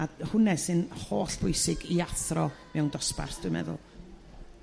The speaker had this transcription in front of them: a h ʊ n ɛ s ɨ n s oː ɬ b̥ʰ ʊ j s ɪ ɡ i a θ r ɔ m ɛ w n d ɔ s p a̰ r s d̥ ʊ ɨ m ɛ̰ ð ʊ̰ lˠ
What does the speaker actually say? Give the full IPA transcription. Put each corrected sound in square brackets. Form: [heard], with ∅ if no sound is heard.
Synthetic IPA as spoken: a h ʊ n ɛ s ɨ n [h] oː ɬ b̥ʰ ʊ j s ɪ ɡ i a θ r ɔ m ɛ w n d ɔ s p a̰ r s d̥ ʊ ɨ m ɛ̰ ð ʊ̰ lˠ